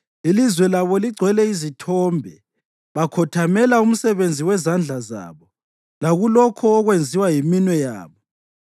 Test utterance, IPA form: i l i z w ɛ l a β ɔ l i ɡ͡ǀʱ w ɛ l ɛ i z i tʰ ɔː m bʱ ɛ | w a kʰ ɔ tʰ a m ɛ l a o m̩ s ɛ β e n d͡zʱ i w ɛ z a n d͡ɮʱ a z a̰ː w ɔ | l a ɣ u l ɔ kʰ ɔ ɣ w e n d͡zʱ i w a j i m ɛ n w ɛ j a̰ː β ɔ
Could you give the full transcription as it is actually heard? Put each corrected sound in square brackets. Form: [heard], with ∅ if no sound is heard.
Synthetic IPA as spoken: i l i z w ɛ l a β ɔ l i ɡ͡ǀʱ w ɛ l ɛ i z i tʰ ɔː m bʱ ɛ | [β] a kʰ ɔ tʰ a m ɛ l a [u] m̩ s ɛ β e n d͡zʱ i w ɛ z a n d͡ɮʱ a z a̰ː [β] ɔ | l a ɣ u l ɔ kʰ [ɔː] ɣ w e n d͡zʱ i w a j i m [i] n w ɛ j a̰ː β ɔ

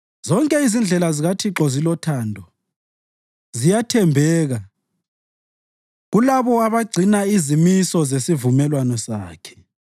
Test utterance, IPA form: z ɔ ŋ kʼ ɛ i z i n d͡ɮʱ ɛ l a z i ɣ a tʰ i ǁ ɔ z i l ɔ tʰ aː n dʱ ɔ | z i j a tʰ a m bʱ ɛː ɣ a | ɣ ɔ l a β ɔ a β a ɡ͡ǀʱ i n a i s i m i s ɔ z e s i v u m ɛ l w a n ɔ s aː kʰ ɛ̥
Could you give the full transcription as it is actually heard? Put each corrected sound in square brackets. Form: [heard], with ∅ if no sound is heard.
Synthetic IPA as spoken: z ɔ ŋ kʼ ɛ i z i n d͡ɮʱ ɛ l a z i ɣ a tʰ i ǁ ɔ z i l ɔ tʰ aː n dʱ ɔ | z i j a tʰ [ɛ] m bʱ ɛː ɣ a | ɣ [u] l a β ɔ a β a ɡ͡ǀʱ i n a i [z] i m i s ɔ z e s i v u m ɛ l w a n ɔ s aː kʰ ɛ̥

